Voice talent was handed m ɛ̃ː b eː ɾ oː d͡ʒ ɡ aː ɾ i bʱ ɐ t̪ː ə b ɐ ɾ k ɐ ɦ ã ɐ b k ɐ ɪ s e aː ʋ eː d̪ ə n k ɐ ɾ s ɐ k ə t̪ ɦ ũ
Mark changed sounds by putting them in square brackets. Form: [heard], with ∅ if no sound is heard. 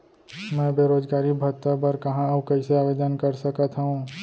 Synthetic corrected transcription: m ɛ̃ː b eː ɾ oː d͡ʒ ɡ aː ɾ i bʱ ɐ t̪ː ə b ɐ ɾ k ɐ ɦ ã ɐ b k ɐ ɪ s e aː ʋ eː d̪ ə n k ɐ ɾ s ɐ k ə t̪ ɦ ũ